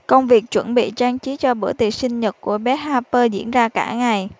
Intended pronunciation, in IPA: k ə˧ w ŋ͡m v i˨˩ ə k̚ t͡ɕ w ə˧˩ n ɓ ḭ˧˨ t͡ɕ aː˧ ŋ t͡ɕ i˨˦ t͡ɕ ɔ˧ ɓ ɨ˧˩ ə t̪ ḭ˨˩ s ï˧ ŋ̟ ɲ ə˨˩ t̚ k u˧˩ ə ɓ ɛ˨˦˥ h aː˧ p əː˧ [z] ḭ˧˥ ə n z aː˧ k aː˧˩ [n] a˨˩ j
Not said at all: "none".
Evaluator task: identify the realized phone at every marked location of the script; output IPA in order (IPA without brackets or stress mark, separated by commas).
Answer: z, ŋ